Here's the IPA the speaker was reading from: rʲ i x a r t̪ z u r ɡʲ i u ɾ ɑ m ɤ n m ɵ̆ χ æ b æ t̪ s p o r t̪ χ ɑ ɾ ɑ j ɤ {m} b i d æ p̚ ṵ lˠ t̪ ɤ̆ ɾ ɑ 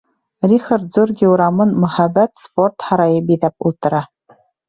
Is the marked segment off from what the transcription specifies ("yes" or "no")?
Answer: yes